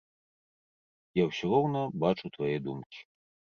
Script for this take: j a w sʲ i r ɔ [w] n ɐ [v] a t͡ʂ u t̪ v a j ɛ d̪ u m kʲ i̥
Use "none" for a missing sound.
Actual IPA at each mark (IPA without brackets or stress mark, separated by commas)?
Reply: w, b